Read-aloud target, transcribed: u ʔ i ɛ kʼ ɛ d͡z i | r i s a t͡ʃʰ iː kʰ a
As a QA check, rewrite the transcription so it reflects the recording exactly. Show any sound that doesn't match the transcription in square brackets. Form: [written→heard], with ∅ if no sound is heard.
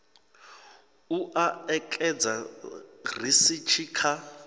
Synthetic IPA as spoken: u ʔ [i→a] ɛ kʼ ɛ d͡z [i→a] | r i s [a→i] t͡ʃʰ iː kʰ a